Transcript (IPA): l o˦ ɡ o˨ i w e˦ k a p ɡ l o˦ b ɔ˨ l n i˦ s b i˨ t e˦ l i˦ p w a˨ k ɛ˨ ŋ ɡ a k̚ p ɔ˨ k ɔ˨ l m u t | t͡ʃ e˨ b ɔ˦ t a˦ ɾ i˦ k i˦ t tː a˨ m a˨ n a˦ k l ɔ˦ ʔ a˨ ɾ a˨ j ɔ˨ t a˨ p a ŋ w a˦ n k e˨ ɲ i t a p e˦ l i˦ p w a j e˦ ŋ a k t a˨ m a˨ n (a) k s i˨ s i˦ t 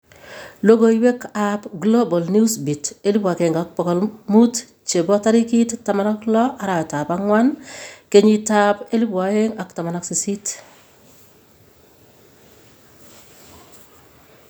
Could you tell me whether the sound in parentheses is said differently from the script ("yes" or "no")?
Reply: no